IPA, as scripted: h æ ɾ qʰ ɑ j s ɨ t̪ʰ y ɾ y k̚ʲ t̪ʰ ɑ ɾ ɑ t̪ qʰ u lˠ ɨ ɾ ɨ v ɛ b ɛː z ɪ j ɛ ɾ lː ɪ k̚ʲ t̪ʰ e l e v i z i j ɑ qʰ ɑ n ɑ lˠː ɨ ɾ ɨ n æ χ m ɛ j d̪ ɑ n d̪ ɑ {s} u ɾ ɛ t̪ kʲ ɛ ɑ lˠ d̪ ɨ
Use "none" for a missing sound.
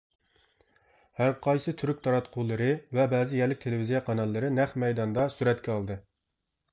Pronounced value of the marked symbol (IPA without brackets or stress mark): s